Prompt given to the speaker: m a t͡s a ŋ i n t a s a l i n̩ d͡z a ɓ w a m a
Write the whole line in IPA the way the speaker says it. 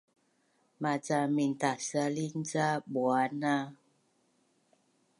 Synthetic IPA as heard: m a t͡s a m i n t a s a l i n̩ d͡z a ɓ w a n a